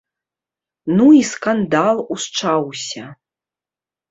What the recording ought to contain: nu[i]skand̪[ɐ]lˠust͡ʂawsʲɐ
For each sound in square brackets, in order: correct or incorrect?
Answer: correct, incorrect

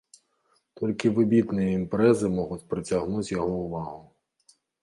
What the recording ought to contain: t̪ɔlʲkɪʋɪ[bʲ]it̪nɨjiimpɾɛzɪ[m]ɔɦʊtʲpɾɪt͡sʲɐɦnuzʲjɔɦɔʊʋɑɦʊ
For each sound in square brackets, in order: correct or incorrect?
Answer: correct, correct

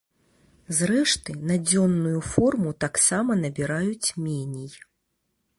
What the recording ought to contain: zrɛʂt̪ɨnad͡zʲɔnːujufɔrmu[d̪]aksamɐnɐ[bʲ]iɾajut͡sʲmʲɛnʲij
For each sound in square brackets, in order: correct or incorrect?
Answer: incorrect, correct

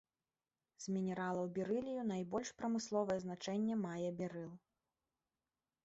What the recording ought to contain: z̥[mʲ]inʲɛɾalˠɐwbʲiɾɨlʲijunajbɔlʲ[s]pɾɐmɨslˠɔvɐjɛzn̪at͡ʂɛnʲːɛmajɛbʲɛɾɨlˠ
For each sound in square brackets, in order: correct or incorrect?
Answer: correct, incorrect

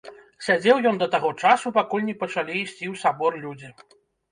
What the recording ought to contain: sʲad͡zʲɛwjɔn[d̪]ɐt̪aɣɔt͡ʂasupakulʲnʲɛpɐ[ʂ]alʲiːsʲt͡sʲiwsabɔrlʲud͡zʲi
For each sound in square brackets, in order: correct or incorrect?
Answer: correct, incorrect

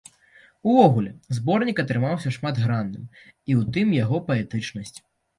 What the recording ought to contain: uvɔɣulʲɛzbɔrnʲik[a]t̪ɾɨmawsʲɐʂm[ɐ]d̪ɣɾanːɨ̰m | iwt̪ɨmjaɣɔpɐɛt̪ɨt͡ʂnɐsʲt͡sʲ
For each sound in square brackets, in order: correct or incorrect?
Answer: incorrect, incorrect

